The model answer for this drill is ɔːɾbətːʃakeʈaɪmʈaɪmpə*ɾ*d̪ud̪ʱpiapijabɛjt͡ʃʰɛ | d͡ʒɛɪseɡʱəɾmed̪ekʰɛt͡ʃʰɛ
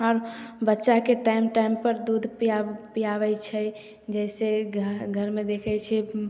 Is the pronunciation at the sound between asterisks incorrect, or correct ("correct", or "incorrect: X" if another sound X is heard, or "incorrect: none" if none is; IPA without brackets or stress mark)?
correct